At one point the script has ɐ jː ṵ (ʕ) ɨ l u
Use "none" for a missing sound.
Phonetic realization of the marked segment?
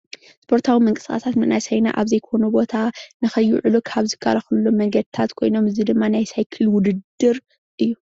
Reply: ʕ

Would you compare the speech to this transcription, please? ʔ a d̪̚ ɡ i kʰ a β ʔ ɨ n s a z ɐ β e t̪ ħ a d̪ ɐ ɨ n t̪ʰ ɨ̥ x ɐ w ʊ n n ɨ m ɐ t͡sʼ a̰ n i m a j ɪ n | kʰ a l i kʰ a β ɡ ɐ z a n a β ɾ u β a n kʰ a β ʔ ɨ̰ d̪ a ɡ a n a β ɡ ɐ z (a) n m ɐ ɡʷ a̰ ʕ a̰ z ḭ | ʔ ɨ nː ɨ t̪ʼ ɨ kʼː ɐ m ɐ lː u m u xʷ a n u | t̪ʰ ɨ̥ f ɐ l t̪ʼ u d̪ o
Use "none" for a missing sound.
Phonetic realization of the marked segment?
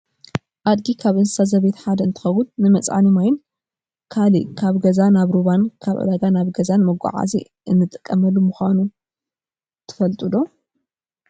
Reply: a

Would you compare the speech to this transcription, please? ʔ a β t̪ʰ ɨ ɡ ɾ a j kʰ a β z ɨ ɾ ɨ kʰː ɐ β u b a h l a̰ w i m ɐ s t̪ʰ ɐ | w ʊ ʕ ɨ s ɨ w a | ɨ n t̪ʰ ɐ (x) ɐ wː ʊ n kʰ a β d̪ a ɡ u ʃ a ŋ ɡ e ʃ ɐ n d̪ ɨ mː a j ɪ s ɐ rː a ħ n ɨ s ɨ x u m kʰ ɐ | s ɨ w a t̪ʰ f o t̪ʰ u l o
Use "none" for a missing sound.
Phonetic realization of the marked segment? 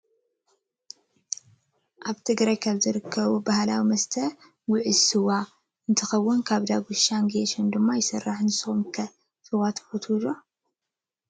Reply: x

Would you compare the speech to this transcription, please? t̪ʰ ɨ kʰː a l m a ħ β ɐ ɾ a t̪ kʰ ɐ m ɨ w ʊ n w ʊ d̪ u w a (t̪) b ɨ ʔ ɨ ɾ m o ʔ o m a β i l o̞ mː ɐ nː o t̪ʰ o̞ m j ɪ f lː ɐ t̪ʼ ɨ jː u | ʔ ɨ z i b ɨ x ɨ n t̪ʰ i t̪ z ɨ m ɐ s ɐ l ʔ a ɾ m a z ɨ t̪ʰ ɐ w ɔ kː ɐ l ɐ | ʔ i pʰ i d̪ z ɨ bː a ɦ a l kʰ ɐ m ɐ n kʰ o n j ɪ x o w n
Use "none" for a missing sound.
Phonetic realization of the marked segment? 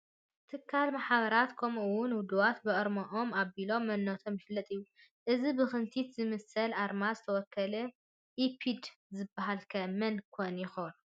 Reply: t̪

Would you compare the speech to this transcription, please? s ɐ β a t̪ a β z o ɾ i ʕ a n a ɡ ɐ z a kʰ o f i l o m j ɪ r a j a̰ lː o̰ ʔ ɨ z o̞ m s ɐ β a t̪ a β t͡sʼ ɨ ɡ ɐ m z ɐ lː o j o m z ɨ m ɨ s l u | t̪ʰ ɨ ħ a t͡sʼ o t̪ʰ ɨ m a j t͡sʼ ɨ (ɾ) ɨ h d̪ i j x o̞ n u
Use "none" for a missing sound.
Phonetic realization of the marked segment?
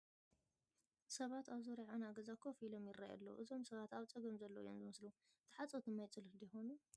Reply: l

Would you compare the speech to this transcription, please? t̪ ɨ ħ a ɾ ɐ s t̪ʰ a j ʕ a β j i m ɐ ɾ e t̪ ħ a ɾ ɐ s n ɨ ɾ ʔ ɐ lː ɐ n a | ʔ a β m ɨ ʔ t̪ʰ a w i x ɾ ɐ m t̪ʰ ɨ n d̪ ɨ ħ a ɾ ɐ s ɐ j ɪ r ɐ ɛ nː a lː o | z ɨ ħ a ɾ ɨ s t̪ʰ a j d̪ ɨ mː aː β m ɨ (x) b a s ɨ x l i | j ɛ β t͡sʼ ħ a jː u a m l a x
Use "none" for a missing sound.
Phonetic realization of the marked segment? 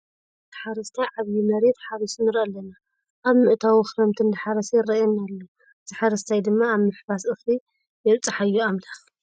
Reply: ħ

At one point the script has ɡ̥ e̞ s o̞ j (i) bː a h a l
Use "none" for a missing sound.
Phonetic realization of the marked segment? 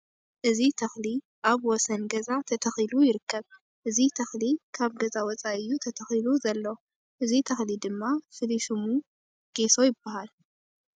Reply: ɪ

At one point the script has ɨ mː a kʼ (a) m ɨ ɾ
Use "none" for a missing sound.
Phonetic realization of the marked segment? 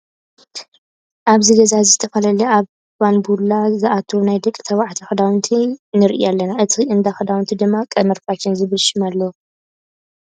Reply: ɐ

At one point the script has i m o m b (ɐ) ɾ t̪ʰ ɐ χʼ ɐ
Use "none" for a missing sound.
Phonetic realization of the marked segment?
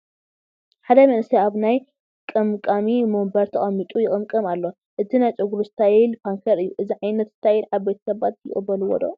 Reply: ɐ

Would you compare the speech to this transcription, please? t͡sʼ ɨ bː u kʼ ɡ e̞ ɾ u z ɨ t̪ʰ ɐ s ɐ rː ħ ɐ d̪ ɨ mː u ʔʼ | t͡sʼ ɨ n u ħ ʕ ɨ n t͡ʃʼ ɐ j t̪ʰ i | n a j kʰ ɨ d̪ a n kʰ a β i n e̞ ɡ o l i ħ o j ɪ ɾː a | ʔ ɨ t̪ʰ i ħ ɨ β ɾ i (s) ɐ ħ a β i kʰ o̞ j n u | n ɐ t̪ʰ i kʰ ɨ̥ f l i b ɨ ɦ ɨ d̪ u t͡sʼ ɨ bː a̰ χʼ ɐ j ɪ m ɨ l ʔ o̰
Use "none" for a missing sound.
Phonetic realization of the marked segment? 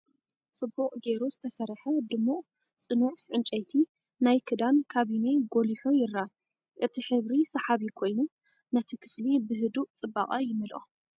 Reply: s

